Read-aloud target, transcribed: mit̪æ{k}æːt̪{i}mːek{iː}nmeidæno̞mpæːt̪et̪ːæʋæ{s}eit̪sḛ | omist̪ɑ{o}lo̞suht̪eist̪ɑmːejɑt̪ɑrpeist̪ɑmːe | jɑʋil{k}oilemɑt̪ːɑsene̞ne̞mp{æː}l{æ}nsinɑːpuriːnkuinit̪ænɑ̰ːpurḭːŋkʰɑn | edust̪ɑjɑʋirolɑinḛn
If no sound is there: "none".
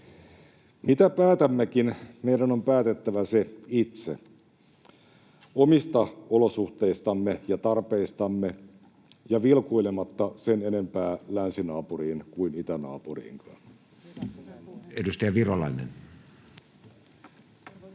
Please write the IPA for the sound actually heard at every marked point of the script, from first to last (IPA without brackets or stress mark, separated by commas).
p, æ, i, s, o, k, æː, æ